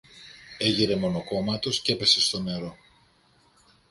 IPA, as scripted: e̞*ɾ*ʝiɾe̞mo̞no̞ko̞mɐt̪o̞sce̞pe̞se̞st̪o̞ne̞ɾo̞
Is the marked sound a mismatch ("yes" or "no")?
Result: yes